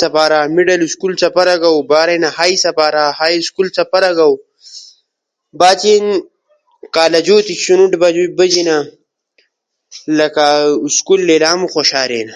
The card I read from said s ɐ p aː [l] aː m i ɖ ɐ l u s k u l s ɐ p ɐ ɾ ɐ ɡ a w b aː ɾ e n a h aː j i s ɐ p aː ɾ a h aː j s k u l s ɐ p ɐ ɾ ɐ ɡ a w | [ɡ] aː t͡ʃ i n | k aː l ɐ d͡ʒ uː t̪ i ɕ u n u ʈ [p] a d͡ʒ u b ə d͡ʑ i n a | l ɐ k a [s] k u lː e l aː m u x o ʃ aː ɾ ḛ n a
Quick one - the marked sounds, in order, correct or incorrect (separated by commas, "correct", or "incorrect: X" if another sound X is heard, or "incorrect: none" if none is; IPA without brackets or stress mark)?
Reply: incorrect: ɾ, incorrect: b, incorrect: b, correct